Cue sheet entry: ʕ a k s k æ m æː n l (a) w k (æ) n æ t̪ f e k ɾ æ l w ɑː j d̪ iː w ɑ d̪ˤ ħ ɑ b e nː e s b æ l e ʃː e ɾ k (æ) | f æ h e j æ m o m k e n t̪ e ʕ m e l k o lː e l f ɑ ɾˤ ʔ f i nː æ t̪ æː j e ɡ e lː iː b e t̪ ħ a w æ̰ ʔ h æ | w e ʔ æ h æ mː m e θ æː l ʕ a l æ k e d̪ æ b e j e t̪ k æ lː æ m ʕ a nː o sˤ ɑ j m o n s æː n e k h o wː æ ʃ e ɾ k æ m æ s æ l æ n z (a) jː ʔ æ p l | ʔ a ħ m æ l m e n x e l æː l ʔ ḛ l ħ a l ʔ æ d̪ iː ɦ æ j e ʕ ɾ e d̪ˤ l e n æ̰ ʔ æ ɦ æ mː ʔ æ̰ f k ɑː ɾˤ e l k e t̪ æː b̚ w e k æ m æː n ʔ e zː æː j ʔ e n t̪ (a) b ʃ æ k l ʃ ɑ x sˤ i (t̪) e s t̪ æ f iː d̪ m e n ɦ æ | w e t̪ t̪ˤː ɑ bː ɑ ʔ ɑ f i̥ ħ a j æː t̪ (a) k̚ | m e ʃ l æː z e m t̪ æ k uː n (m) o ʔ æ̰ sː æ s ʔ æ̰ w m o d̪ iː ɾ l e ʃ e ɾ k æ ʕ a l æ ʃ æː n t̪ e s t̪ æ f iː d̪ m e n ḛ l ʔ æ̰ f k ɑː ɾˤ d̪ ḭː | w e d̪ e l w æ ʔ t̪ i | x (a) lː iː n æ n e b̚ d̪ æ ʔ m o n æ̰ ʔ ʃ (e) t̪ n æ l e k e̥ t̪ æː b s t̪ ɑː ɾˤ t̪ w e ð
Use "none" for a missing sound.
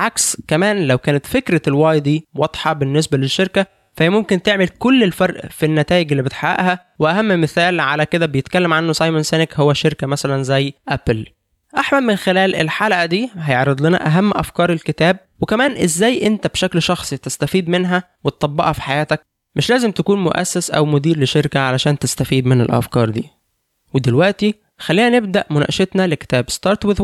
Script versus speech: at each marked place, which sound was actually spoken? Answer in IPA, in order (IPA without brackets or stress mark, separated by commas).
æ, æː, æ, æ, æ, t̪, æ, m, æ, e